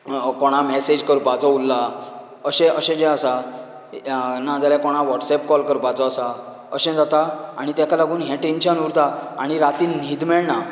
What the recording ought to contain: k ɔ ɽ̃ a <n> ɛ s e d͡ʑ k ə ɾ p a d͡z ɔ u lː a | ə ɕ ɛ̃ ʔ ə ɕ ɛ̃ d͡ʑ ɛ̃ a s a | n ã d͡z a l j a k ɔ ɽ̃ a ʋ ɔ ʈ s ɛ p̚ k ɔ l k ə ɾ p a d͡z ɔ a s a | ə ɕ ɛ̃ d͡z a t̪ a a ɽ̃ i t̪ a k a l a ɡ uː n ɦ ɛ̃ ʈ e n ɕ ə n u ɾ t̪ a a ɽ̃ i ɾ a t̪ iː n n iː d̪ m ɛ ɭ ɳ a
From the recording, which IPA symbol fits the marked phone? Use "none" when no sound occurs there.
m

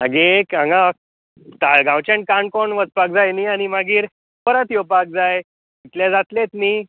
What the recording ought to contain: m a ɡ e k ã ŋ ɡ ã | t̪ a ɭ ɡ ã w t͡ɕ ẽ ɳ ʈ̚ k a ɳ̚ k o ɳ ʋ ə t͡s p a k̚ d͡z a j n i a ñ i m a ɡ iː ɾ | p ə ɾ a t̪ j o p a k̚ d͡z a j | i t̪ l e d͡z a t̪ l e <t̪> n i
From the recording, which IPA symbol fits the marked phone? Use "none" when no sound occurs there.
t̪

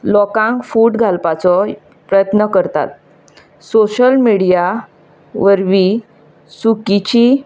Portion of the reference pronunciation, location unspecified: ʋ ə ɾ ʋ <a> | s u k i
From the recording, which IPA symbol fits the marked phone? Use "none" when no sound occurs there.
i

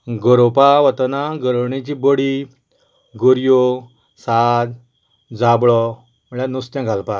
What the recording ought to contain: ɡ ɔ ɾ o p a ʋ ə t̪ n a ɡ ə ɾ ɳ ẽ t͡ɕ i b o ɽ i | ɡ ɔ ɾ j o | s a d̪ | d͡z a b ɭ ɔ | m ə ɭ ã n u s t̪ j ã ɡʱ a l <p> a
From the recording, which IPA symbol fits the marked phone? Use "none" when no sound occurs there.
p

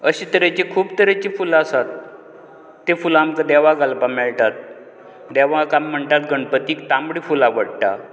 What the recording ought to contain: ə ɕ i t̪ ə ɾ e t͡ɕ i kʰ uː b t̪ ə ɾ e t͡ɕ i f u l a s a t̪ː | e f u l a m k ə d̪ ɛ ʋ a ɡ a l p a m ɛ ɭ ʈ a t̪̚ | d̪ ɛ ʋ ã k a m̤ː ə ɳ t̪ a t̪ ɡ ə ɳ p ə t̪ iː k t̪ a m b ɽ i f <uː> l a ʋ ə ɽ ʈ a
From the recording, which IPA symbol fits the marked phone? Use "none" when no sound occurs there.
u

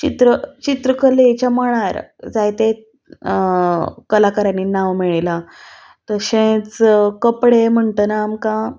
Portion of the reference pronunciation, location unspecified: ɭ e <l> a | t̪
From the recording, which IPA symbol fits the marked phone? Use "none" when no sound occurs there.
l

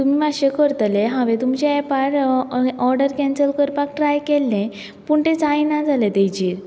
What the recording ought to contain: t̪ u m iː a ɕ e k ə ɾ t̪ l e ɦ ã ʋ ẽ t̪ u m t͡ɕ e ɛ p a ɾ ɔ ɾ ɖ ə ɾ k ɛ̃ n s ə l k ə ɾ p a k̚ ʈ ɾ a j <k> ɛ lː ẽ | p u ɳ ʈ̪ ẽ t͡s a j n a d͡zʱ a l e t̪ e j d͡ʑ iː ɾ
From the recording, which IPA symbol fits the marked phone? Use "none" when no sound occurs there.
k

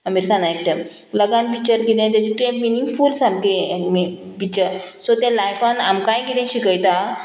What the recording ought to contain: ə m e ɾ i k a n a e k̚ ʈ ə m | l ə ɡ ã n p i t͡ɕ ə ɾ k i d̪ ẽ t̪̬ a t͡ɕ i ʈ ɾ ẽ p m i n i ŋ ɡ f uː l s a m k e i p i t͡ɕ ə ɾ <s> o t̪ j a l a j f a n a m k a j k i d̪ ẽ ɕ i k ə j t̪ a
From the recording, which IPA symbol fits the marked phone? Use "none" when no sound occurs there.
s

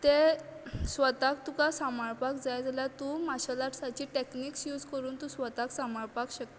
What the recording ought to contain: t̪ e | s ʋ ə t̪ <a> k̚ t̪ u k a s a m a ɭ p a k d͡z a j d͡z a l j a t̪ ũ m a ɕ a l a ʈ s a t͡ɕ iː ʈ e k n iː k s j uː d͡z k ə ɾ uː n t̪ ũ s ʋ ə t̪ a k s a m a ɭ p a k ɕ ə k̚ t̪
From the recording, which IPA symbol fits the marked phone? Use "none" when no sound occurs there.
a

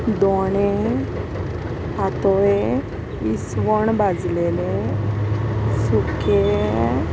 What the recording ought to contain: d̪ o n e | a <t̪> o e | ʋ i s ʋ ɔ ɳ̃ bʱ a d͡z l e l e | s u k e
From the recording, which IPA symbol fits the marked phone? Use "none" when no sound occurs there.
t̪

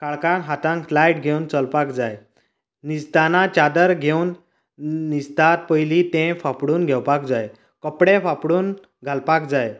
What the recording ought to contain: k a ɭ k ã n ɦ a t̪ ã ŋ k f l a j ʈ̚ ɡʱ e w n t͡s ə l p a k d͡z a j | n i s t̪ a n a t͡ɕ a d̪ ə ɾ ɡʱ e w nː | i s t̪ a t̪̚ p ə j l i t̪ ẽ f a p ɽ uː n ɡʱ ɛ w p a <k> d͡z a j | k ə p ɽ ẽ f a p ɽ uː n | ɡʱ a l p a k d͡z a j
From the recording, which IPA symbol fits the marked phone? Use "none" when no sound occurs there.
k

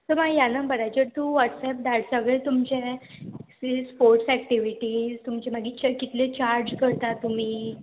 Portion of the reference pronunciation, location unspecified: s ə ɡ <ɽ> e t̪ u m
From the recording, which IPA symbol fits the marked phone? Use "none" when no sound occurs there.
ɭ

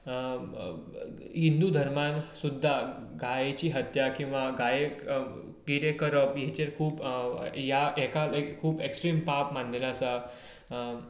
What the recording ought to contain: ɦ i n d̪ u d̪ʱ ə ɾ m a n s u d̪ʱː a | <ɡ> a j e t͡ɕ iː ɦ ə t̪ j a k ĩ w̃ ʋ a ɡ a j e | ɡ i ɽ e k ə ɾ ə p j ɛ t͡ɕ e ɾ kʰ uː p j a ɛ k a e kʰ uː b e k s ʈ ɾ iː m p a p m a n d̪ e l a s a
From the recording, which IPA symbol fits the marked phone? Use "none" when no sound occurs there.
ɡ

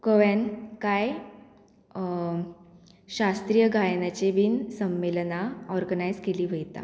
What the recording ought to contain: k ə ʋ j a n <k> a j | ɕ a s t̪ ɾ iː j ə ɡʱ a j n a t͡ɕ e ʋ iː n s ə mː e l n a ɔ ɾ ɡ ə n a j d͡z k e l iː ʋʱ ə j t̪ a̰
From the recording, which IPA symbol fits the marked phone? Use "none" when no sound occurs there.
k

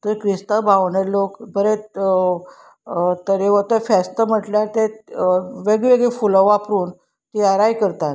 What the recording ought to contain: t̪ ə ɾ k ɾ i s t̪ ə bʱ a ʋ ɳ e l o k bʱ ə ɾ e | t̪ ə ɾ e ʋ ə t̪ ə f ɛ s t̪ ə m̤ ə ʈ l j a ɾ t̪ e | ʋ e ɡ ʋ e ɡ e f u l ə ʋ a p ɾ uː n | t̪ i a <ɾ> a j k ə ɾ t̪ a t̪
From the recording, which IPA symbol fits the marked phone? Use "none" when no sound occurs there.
ɾ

